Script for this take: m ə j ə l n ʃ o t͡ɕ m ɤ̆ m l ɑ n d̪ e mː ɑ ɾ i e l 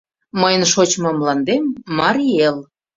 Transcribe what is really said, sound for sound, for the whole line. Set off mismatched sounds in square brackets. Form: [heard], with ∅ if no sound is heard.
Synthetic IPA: m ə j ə [∅] n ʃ o t͡ɕ m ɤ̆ m l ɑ n d̪ e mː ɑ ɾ i e l